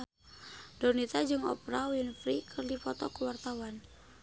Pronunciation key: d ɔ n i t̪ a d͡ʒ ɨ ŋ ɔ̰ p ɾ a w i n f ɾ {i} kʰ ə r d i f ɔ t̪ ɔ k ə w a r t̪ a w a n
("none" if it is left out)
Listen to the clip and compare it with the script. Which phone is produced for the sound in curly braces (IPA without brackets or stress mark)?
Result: i